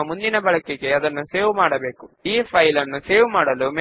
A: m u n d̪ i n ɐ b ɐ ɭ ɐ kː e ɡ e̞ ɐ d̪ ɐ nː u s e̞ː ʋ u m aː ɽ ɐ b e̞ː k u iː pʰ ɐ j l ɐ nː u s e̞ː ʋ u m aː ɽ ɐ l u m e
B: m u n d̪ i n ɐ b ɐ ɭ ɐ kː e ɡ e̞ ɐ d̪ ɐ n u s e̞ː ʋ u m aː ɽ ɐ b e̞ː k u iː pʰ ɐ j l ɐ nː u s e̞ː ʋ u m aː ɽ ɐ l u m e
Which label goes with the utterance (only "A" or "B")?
A